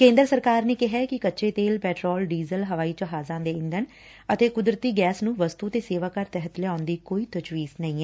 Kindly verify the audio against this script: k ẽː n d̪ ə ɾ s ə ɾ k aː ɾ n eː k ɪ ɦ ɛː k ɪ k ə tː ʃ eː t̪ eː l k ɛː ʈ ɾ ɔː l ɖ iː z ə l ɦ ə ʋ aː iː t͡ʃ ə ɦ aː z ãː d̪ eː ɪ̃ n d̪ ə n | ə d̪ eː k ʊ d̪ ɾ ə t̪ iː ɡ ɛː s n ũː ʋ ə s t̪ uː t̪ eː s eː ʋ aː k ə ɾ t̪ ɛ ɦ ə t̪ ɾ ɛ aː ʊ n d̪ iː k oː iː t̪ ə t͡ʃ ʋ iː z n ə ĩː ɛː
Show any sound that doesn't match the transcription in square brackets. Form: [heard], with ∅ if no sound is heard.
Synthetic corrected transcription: k ẽː n d̪ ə ɾ s ə ɾ k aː ɾ n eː k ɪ ɦ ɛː k ɪ k ə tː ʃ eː t̪ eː l [p] ɛː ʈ ɾ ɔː l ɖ iː z ə l ɦ ə ʋ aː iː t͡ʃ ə ɦ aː z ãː d̪ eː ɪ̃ n d̪ ə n | ə [t̪] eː k ʊ d̪ ɾ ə t̪ iː ɡ ɛː s n ũː ʋ ə s t̪ uː t̪ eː s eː ʋ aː k ə ɾ t̪ ɛ ɦ ə t̪ [l] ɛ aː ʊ n d̪ iː k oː iː t̪ ə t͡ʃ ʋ iː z n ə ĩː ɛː